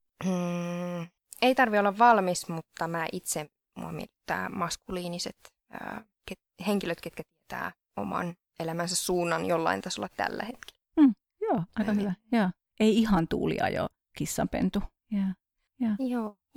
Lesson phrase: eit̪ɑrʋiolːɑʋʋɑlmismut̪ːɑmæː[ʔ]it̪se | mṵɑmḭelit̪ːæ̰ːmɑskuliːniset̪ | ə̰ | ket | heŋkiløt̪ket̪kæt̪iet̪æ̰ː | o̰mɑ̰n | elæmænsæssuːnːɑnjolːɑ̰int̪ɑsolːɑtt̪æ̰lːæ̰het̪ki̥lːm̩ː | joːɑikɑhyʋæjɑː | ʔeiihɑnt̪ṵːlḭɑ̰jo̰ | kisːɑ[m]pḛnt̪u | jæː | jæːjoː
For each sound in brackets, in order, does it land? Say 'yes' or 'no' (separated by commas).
yes, yes